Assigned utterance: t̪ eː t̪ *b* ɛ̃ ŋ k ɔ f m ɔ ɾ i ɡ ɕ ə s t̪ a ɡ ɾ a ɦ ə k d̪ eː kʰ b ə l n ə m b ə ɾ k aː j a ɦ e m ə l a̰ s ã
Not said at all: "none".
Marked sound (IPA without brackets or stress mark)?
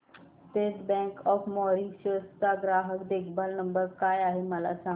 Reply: b